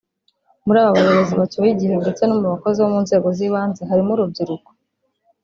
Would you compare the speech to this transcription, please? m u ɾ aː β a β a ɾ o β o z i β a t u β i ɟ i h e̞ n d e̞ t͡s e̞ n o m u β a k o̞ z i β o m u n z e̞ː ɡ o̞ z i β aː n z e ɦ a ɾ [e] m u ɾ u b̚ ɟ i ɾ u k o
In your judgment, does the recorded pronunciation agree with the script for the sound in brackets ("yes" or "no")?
no